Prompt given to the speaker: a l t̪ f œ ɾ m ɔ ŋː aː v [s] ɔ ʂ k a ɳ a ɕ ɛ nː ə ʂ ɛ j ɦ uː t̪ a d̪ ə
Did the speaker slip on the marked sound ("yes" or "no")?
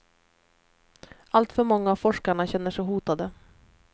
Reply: yes